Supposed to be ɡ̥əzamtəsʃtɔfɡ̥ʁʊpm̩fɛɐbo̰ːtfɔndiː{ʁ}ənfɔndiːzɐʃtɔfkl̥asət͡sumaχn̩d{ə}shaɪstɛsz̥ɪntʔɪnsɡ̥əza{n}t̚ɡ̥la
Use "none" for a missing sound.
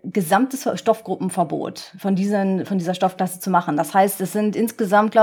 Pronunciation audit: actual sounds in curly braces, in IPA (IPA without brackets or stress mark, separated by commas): z, a, m